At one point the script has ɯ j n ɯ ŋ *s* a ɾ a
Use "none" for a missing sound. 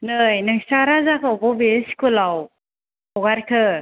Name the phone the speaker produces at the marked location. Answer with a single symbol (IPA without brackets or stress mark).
s